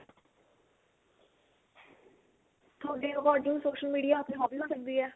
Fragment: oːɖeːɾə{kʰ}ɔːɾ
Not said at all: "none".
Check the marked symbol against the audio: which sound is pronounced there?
k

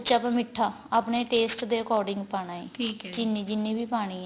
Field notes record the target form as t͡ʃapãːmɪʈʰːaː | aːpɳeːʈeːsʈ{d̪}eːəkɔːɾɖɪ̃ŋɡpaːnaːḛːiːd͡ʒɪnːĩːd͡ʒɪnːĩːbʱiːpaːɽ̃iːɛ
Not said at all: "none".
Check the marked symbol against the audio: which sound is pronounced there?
d̪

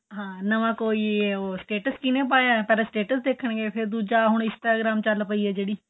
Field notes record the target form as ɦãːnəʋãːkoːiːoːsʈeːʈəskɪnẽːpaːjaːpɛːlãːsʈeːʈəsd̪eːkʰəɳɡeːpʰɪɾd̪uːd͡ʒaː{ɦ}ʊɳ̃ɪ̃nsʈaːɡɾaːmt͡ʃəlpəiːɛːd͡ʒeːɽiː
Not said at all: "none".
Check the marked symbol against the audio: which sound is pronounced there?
ɦ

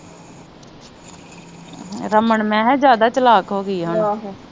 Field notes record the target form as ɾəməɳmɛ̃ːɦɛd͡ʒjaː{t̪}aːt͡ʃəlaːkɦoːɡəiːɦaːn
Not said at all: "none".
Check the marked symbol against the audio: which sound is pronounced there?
d̪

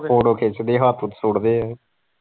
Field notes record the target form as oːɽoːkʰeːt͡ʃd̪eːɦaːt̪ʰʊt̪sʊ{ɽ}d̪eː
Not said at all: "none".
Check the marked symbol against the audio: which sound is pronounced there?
ɽ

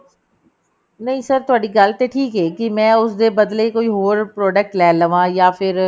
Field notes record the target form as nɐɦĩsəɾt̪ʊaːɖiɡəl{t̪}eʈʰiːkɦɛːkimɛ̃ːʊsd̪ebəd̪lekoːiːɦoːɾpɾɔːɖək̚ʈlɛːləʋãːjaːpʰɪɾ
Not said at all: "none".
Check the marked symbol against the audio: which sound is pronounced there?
t̪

